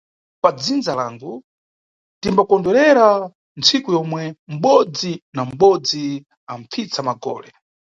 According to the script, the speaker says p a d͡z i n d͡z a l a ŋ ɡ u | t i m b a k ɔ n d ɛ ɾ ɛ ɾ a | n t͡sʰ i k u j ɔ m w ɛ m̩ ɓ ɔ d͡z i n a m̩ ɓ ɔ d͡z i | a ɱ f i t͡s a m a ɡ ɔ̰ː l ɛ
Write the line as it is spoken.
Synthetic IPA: p a d͡z i n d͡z a l a ŋ ɡ u | t i m b a k ɔ n d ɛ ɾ ɛ ɾ a | n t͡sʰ i k u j ɔ m w ɛ m̩ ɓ ɔ d͡z i n a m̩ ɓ ɔ d͡z i | a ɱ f i t͡s a m a ɡ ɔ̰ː l ɛ

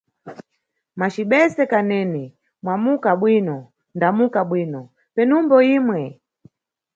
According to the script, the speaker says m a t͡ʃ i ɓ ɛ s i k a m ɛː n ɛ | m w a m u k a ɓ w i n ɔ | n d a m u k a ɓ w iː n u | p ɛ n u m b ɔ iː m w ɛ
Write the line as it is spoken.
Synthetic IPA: m a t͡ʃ i ɓ ɛ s ɛ k a n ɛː n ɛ | m w a m u k a ɓ w i n ɔ | n d a m u k a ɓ w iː n ɔ | p ɛ n u m b ɔ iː m w ɛ

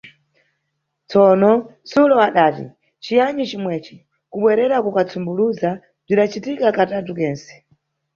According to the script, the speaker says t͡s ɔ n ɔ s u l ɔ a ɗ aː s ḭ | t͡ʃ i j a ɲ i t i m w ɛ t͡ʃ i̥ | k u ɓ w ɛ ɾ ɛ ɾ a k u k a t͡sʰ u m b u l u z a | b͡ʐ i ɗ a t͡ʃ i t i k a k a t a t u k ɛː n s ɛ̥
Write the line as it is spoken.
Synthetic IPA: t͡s ɔ n ɔ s u l ɔ a ɗ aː t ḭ | t͡ʃ i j a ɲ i t͡ʃ i m w ɛ t͡ʃ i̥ | k u ɓ w ɛ ɾ ɛ ɾ a k u k a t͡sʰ u m b u l u z a | b͡ʐ i ɗ a t͡ʃ i t i k a k a t a t u k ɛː n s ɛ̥

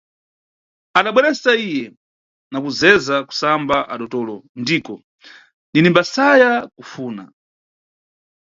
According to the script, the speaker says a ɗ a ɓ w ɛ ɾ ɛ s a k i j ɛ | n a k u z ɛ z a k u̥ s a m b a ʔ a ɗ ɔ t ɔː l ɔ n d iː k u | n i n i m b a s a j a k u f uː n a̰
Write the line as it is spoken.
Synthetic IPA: a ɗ a ɓ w ɛ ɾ ɛ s a i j ɛ | n a k u z ɛ z a k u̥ s a m b a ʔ a ɗ ɔ t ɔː l ɔ n d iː k ɔ | n i n i m b a s a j a k u f uː n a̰

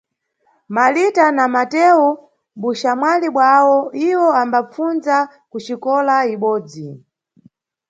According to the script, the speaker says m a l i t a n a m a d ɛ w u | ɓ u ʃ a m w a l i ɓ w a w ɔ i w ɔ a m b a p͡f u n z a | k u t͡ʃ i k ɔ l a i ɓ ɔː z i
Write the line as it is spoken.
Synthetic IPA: m a l i t a n a m a t ɛ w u | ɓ u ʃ a m w a l i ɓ w a w ɔ i w ɔ a m b a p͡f u n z a | k u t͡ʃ i k ɔ l a i ɓ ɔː d͡z i

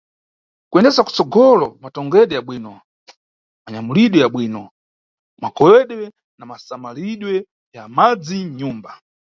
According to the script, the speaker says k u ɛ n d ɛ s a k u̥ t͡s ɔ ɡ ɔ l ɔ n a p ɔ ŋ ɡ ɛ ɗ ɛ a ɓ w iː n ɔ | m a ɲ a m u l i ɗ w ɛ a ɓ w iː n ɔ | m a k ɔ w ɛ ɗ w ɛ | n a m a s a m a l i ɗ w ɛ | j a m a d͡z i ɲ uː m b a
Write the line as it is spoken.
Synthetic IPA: k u ɛ n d ɛ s a k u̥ t͡s ɔ ɡ ɔ l ɔ m a t ɔ ŋ ɡ ɛ ɗ ɛ a ɓ w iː n ɔ | m a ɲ a m u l i ɗ w ɛ a ɓ w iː n ɔ | m a k ɔ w ɛ ɗ w ɛ | n a m a s a m a l i ɗ w ɛ | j a m a d͡z i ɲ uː m b a

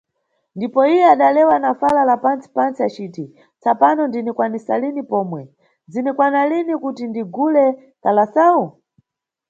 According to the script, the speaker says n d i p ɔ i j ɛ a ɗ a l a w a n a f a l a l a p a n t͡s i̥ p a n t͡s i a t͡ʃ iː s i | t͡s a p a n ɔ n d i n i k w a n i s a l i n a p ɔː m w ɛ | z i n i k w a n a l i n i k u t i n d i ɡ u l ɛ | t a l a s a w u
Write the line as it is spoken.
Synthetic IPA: n d i p ɔ i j ɛ a ɗ a l ɛ w a n a f a l a l a p a n t͡s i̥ p a n t͡s i a t͡ʃ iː t i | t͡s a p a n ɔ n d i n i k w a n i s a l i n i p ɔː m w ɛ | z i n i k w a n a l i n i k u t i n d i ɡ u l ɛ | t a l a s a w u

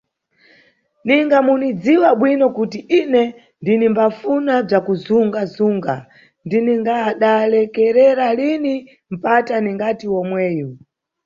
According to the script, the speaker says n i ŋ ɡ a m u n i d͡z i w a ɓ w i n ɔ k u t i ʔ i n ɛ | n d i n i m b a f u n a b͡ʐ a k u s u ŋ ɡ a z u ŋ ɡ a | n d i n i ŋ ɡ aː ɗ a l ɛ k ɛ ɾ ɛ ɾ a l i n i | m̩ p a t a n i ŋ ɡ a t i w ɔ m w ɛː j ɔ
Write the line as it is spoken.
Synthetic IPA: n i ŋ ɡ a m u n i d͡z i w a ɓ w i n ɔ k u t i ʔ i n ɛ | n d i n i m b a f u n a b͡ʐ a k u z u ŋ ɡ a z u ŋ ɡ a | n d i n i ŋ ɡ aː ɗ a l ɛ k ɛ ɾ ɛ ɾ a l i n i | m̩ p a t a n i ŋ ɡ a t i w ɔ m w ɛː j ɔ

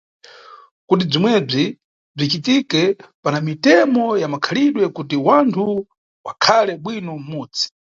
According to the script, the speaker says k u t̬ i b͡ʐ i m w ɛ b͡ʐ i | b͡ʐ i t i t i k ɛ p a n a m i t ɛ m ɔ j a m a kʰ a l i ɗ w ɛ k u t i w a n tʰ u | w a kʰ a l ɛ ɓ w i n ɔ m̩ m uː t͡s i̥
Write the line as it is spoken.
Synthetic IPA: k u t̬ i b͡ʐ i m w ɛ b͡ʐ i | b͡ʐ i t͡ʃ i t i k ɛ p a n a m i t ɛ m ɔ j a m a kʰ a l i ɗ w ɛ k u t i w a n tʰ u | w a kʰ a l ɛ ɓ w i n ɔ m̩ m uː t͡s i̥

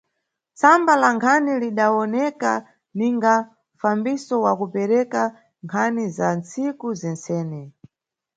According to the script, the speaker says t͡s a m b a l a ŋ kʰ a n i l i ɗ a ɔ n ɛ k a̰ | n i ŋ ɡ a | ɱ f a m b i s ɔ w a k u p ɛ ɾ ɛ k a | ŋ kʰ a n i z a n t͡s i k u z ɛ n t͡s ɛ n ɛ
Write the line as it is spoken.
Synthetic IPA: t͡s a m b a l a ŋ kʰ a n i l i ɗ a ɔ n ɛ k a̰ | n i ŋ ɡ a | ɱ f a m b i s ɔ w a k u p ɛ ɾ ɛ k a | ŋ kʰ a n i z a n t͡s i k u z ɛ n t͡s ɛː n ɛ

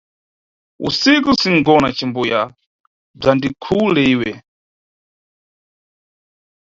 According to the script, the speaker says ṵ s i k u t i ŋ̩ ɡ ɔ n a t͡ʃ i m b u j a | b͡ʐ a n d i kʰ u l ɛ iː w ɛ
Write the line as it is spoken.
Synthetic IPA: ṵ s i k u s i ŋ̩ ɡ ɔ n a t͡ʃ i m b u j a | b͡ʐ a n d i kʰ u l ɛ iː w ɛ

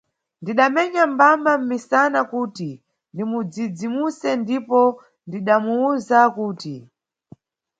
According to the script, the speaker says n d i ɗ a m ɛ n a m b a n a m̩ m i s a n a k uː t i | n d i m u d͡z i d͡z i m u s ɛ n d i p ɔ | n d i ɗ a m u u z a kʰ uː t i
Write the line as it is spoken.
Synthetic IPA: n d i ɗ a m ɛ ɲ a m b a m a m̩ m i s a n a k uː t i | n d i m u d͡z i d͡z i m u s ɛ n d i p ɔ | n d i ɗ a m u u z a k uː t i

